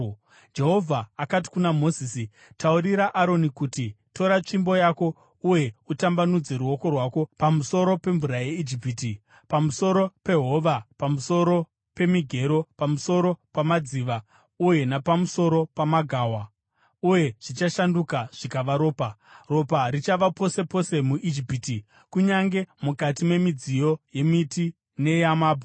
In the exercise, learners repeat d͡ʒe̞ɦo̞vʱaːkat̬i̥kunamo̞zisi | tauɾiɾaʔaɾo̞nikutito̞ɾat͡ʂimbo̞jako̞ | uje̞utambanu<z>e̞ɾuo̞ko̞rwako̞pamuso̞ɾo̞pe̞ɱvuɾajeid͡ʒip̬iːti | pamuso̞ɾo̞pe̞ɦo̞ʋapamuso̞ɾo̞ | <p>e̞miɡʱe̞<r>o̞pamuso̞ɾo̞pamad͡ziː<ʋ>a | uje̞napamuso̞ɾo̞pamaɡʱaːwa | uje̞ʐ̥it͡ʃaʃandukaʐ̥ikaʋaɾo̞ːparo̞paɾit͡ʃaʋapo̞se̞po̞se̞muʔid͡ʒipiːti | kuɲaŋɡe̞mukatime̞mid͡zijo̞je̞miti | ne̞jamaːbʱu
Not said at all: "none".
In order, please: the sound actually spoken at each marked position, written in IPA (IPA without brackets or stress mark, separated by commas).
d͡z, p, ɾ, ʋ